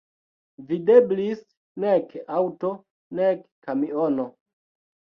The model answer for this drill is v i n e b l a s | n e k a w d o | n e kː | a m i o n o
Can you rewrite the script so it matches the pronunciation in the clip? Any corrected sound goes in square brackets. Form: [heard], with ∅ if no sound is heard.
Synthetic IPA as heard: v i [d] e b l [i] s | n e k a w [t] o | n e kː | a m i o n o